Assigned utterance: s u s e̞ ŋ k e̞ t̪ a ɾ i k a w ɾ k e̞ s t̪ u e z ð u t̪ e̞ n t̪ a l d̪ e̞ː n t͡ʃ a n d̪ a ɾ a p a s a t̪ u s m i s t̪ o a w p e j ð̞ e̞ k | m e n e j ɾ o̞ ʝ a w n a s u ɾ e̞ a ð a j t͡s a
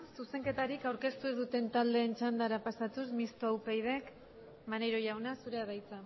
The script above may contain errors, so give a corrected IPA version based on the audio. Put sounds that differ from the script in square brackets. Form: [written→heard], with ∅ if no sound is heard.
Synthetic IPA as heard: s u s e̞ ŋ k e̞ t̪ a ɾ i k a w ɾ k e̞ s t̪ u e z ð u t̪ e̞ n t̪ a l d̪ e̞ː n t͡ʃ a n d̪ a ɾ a p a s a t̪ u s m i s t̪ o a w p e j ð̞ e̞ k | m [e→a] n e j ɾ o̞ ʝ a w n a s u ɾ e̞ a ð a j t͡s a